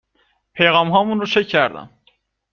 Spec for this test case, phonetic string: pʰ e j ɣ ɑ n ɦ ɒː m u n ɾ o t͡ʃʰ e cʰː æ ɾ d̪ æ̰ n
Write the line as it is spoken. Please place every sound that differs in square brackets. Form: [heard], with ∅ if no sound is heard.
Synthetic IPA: pʰ e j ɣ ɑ [m] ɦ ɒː m u n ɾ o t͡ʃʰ e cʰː æ ɾ d̪ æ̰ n